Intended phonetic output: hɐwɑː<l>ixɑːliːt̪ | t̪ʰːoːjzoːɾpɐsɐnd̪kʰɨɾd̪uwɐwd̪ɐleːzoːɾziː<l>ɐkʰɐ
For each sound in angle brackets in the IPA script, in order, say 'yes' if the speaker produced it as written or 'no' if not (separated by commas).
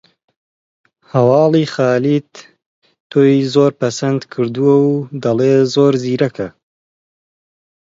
yes, no